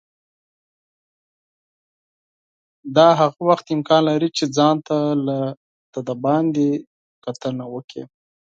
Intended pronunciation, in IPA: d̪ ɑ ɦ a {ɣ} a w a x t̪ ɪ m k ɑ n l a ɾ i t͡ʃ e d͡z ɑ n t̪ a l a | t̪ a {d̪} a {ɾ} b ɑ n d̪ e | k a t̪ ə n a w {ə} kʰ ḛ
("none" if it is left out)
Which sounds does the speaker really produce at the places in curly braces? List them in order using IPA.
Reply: ɣ, d̪, none, ə

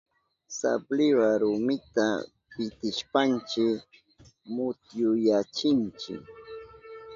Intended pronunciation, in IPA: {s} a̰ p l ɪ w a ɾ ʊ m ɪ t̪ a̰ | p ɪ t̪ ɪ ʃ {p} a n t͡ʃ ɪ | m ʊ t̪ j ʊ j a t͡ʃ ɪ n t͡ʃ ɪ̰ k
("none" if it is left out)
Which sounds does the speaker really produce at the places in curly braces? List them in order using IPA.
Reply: s, p

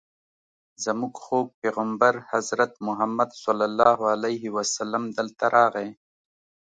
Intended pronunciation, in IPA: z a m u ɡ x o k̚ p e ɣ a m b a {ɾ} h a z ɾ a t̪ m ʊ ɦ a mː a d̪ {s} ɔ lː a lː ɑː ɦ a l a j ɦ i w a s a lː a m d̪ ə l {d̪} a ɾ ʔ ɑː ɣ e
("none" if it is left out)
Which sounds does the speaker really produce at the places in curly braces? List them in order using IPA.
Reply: ɾ, s, t̪

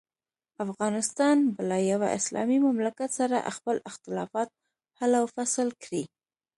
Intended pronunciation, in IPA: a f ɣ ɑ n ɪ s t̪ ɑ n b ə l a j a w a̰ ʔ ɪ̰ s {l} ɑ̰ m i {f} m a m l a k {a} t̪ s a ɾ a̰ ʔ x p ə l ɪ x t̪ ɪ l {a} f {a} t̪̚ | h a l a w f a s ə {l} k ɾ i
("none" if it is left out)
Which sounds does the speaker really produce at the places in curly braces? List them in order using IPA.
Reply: l, none, a, ɑ, ɑ, l

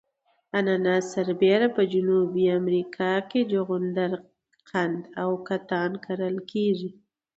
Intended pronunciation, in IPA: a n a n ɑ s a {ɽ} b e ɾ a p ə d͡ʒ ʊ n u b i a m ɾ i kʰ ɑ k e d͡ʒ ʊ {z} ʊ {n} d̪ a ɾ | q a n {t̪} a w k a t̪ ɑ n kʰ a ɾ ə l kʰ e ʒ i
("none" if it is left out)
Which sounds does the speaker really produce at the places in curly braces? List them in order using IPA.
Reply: ɾ, ɣ, n, d̪

